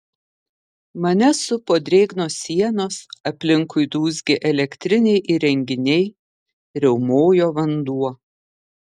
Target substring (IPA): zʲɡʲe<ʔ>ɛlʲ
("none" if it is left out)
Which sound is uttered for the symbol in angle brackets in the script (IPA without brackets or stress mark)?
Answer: ʔ